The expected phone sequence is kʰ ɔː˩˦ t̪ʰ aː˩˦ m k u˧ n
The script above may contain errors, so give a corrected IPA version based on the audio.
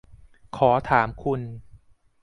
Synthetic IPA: kʰ ɔː˩˦ t̪ʰ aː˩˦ m kʰ u˧ n